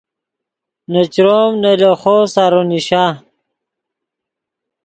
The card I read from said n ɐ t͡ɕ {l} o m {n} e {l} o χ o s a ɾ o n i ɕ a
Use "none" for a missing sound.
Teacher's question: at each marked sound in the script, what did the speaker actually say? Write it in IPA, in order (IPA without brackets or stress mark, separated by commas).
ɾ, n, l